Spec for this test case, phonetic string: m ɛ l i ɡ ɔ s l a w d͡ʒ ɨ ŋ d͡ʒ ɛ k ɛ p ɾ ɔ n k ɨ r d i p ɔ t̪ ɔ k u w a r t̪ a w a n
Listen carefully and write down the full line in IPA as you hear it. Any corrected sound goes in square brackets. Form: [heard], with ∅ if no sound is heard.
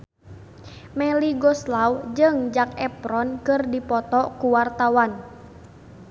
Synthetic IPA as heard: m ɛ l i ɡ ɔ s l a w d͡ʒ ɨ ŋ d͡ʒ [a] k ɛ p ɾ ɔ n k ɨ r d i p ɔ t̪ ɔ k u w a r t̪ a w a n